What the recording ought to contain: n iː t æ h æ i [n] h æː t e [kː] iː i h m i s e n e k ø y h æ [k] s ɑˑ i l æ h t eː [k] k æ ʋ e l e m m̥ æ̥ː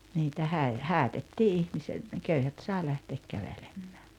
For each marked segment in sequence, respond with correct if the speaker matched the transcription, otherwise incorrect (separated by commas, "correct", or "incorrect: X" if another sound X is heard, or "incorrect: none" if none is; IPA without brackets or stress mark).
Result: incorrect: none, incorrect: tː, incorrect: t, correct